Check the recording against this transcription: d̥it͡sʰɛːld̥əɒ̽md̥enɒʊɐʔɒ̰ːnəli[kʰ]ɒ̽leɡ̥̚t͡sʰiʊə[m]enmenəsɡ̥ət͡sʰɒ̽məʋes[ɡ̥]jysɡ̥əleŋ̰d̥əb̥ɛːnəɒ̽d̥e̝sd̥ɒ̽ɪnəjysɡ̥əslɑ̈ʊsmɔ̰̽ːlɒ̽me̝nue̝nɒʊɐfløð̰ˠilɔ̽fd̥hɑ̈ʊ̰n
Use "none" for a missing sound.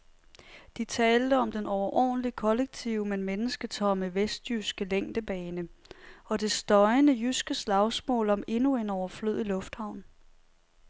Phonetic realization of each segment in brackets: kʰ, m, d̥

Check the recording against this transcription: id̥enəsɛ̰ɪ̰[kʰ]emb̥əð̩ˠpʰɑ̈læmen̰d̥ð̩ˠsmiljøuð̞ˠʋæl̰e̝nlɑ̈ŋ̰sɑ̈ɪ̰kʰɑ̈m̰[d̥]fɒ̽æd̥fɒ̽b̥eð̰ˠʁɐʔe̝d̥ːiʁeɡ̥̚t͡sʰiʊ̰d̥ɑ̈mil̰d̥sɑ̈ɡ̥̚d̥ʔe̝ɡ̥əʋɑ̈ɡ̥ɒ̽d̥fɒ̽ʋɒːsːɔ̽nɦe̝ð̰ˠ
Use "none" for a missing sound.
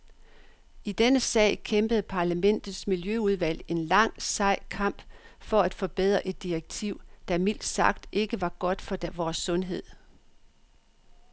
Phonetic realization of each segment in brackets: kʰ, b̥

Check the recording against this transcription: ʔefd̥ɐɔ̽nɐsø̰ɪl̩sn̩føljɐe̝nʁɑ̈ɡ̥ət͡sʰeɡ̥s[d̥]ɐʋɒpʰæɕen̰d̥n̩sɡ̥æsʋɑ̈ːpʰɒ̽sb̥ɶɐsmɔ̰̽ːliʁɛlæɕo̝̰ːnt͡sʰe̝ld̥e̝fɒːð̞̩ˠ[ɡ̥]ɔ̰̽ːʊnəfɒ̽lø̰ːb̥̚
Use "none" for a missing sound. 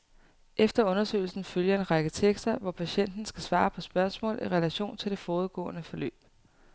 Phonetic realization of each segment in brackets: d̥, ɡ̥

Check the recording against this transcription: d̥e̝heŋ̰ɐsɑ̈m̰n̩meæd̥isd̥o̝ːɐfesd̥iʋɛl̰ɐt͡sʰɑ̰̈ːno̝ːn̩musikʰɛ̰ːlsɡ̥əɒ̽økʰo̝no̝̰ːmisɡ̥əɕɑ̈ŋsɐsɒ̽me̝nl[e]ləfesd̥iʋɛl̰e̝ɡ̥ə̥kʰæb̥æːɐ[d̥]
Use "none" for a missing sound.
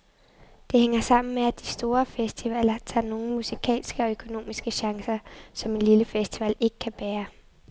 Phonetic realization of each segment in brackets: i, none

